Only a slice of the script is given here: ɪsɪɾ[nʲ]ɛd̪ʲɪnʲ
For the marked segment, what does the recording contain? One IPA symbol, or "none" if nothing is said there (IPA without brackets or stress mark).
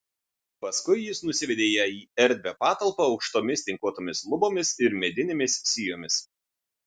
mʲ